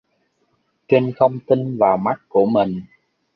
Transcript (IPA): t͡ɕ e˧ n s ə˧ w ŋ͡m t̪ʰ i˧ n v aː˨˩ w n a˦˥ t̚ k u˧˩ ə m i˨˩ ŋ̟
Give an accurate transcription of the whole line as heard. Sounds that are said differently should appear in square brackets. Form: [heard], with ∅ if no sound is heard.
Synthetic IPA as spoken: t͡ɕ e˧ n [x] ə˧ w ŋ͡m [t̪] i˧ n v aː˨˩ w [m] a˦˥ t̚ k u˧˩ ə m i˨˩ ŋ̟